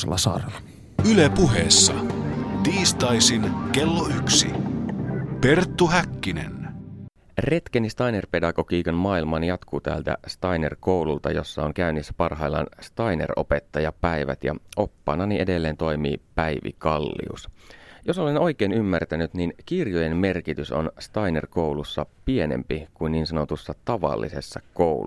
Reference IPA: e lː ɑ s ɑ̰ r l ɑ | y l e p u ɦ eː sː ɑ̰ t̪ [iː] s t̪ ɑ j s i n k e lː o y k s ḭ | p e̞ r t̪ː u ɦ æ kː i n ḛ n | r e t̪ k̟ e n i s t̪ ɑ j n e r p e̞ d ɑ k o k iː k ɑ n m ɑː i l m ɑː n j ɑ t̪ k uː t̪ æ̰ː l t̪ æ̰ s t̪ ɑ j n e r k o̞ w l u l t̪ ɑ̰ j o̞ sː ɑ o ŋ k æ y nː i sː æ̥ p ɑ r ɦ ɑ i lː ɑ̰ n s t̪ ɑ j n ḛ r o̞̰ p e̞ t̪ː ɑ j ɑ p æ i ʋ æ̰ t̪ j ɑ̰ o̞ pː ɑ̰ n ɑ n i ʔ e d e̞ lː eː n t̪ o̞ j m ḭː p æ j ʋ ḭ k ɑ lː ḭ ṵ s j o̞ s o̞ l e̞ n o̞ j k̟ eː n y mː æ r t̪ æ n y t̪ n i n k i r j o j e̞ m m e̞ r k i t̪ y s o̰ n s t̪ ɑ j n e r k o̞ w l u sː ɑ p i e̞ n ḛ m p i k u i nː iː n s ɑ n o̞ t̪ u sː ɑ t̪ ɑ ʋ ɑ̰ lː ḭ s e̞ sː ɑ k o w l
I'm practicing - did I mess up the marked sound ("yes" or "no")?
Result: no